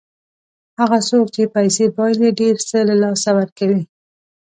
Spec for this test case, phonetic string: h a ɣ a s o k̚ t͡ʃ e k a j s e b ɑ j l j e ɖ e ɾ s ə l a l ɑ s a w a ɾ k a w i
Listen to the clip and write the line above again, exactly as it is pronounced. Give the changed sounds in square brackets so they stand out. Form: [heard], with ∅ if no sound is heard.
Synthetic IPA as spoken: h a ɣ a s o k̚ t͡ʃ e [p] a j s e b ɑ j l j e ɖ e ɾ s ə l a l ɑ s a w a ɾ k a w i